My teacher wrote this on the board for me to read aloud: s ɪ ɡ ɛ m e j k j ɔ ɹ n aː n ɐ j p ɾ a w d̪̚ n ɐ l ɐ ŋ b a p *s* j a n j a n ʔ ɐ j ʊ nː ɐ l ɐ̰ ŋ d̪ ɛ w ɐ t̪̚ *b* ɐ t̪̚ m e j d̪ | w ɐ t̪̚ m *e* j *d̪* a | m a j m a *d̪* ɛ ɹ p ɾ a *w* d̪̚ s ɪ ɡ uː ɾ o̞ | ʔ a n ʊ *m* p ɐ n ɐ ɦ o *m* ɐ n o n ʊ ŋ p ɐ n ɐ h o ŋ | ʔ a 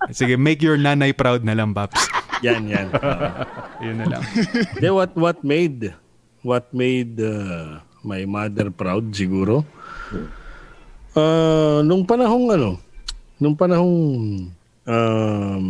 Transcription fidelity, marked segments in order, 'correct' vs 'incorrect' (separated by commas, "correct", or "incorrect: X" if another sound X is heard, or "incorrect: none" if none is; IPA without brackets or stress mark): correct, incorrect: w, correct, correct, correct, correct, incorrect: ŋ, incorrect: ŋ